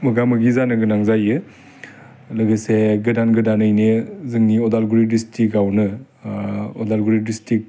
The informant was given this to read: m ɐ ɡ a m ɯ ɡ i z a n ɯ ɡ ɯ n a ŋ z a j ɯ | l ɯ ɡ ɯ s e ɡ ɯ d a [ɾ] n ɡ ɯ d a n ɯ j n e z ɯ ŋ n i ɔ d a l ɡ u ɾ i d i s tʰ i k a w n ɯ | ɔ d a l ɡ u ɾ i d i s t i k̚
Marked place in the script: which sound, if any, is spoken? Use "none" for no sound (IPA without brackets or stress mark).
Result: none